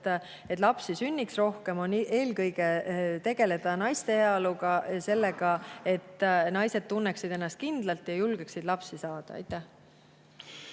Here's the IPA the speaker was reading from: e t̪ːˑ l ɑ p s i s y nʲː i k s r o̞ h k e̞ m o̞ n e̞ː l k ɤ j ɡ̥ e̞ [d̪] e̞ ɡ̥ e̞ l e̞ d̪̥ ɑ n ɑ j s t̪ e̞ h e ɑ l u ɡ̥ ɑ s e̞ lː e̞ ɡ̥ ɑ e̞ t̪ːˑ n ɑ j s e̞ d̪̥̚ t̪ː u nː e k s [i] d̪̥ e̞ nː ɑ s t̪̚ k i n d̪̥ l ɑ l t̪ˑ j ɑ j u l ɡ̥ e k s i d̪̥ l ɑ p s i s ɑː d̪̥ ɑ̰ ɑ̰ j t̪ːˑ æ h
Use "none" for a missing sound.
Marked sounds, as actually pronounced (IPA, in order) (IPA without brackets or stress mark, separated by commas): t̪, i